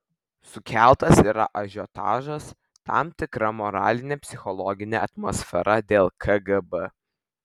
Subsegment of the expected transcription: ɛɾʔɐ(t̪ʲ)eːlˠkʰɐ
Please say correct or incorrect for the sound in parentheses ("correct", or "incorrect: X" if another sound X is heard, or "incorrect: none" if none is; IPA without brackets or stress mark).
incorrect: d̪ʲ